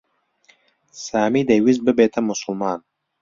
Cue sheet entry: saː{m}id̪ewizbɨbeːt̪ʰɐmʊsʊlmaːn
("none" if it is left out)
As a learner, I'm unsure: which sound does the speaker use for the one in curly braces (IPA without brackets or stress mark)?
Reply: m